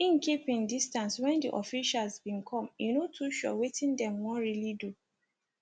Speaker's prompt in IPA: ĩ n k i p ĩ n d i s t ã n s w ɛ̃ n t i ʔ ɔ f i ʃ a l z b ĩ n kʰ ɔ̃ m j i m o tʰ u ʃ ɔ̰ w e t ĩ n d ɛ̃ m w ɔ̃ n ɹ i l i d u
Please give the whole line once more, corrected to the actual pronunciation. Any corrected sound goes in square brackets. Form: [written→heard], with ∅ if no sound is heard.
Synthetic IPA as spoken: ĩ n k i p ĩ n d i s t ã n s w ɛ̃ n [t→d] i ʔ ɔ f i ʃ a l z b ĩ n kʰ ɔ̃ m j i [m→n] o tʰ u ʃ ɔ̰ w e t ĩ n d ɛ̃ m w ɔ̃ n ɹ i l i d u